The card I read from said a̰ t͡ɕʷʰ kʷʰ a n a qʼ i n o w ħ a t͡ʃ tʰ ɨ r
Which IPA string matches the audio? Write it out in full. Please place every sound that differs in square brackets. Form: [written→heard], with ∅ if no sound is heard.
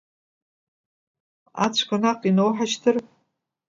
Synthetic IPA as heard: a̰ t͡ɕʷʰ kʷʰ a n a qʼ i n o w ħ a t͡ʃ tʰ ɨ r